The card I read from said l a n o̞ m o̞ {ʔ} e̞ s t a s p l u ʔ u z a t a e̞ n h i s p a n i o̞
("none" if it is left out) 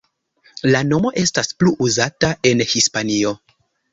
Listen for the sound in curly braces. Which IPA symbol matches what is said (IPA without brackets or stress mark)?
ʔ